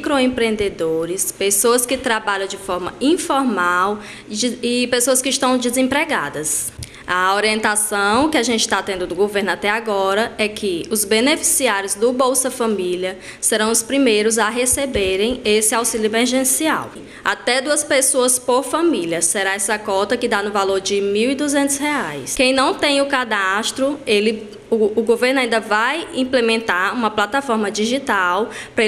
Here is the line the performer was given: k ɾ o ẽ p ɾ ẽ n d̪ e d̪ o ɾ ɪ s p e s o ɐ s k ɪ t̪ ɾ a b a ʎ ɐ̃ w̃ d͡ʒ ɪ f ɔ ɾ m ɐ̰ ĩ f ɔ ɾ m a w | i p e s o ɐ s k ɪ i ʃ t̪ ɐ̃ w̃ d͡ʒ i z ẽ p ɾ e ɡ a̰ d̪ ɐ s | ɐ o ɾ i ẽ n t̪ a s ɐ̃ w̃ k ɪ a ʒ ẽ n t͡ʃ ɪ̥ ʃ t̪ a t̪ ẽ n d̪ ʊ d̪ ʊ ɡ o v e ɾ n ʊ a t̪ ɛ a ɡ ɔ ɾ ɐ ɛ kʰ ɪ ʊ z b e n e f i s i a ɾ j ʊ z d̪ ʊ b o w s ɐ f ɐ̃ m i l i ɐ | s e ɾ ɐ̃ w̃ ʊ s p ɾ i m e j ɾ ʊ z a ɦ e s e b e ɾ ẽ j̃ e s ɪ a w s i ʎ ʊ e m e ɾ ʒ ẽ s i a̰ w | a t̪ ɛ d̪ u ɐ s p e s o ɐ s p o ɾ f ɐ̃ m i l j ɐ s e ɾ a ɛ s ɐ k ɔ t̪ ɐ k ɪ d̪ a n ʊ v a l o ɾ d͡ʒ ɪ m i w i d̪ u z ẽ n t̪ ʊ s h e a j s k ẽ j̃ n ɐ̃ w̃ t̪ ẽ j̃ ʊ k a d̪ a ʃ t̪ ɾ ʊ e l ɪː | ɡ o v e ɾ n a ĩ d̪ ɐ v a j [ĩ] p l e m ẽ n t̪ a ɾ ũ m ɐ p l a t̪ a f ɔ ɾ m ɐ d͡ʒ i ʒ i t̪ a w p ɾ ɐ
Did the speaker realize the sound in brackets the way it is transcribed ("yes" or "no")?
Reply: yes